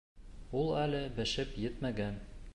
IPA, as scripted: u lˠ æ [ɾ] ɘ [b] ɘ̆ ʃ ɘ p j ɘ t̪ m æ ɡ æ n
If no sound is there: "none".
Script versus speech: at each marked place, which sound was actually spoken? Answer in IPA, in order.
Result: l, b

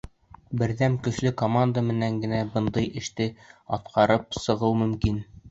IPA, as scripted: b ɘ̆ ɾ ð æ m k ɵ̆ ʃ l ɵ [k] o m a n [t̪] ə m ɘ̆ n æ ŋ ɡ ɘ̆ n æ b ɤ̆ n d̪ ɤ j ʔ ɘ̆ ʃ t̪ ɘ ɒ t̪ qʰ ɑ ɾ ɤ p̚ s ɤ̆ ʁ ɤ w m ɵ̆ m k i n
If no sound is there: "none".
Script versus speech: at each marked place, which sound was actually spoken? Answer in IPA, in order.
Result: k, d̪

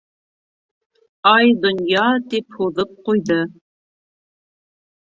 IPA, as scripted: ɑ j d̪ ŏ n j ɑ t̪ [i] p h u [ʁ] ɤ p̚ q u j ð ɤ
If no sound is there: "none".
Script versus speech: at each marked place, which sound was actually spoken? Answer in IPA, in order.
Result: i, ð

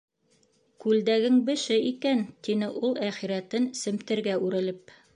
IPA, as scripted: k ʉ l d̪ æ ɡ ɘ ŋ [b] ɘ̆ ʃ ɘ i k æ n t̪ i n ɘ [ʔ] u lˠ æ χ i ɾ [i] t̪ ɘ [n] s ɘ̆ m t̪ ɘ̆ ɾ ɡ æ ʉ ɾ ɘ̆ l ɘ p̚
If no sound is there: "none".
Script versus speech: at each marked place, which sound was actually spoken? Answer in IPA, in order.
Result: b, ʔ, æ, n

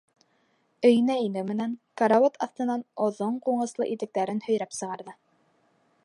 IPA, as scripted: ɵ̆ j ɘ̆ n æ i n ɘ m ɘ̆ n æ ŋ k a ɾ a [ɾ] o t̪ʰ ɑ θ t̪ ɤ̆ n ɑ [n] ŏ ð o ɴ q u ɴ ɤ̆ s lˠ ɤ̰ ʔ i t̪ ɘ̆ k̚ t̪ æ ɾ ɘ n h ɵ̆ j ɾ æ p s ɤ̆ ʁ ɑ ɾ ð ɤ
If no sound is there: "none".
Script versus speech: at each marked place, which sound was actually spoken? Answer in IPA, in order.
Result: none, n

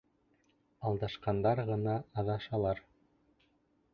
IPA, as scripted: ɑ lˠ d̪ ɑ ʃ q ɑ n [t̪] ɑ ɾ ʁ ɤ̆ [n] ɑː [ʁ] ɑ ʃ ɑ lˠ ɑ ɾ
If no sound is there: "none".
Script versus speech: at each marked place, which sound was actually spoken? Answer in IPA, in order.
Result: d̪, n, ð

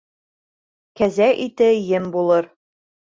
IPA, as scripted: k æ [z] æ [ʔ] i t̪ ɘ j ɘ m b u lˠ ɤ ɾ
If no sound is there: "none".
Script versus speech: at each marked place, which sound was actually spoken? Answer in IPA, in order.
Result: z, ʔ

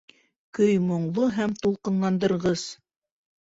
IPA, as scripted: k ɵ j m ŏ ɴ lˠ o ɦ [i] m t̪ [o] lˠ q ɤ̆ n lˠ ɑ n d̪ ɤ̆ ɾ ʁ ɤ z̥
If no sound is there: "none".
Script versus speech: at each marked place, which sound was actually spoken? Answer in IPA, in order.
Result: æ, u

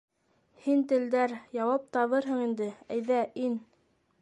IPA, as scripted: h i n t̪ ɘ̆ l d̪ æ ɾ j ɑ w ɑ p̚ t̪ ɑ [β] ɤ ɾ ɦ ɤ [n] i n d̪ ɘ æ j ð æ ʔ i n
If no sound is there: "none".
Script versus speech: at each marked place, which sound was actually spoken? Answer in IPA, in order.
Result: β, ɴ

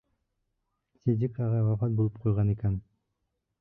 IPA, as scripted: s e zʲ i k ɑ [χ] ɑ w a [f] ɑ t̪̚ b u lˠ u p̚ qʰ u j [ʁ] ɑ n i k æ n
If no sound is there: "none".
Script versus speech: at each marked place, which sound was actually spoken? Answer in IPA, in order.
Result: ʁ, f, ʁ

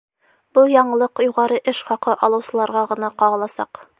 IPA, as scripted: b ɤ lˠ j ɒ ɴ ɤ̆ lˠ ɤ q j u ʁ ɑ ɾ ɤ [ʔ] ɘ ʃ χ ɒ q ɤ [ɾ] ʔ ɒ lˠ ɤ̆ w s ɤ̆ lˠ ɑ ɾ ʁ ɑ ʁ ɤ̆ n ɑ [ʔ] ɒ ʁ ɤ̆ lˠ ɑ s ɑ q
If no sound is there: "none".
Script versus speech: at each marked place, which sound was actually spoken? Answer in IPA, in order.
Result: ʔ, none, q

